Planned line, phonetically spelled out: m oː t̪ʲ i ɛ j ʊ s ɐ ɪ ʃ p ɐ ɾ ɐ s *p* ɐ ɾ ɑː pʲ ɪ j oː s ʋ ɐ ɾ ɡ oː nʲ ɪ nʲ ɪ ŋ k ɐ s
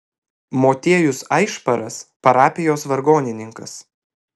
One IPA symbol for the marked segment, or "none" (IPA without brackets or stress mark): p